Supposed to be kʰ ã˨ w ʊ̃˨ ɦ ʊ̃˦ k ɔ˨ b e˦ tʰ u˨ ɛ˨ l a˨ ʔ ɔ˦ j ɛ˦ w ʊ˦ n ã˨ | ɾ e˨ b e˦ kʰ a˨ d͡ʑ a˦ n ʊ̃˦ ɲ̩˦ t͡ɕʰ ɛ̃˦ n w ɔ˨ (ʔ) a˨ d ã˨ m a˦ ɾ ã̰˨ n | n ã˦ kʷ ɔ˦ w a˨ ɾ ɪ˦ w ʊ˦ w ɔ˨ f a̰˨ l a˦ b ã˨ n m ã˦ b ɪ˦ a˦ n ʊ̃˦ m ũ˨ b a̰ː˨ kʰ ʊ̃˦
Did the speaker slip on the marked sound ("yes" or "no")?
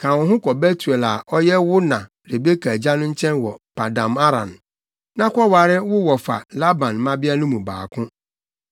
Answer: yes